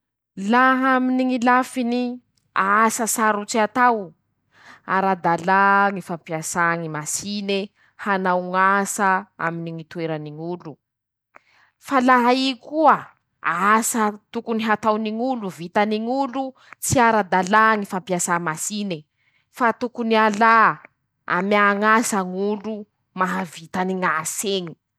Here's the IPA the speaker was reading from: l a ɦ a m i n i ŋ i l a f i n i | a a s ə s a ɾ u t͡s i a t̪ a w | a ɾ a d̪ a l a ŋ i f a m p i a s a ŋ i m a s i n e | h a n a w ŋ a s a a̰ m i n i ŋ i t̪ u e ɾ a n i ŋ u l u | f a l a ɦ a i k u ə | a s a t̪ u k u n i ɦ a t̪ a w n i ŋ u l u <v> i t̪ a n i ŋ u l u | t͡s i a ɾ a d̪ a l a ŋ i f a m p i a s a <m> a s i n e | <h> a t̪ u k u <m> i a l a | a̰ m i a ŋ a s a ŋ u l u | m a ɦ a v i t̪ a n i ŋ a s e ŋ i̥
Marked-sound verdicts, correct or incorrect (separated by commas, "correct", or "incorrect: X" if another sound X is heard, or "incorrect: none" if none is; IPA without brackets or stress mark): correct, correct, incorrect: f, incorrect: n